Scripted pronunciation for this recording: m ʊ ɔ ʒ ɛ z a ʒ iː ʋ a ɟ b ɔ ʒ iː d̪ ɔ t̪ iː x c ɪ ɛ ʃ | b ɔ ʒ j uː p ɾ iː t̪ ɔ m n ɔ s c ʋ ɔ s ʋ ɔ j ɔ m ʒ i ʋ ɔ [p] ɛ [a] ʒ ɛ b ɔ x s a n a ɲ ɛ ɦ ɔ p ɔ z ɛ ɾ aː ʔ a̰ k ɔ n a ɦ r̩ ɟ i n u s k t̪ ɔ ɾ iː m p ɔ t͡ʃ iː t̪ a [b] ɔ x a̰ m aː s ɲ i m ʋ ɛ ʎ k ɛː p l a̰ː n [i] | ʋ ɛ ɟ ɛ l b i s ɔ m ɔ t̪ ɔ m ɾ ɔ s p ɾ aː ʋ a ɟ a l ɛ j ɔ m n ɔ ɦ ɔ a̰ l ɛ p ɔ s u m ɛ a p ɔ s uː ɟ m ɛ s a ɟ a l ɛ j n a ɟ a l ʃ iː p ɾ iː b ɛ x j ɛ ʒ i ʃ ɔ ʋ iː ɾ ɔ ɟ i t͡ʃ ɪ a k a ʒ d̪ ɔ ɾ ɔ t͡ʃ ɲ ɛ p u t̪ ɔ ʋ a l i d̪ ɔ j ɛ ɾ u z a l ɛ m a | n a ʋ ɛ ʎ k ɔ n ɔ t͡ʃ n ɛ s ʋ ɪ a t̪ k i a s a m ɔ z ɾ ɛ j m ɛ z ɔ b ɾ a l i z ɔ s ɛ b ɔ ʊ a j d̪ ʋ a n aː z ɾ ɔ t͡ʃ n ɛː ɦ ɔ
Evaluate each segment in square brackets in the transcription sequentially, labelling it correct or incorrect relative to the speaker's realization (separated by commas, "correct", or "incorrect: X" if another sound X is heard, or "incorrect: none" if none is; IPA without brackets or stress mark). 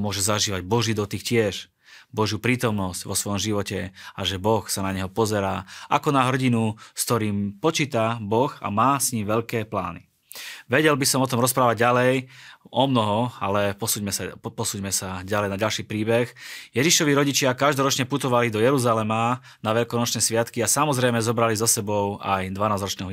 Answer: incorrect: c, correct, correct, correct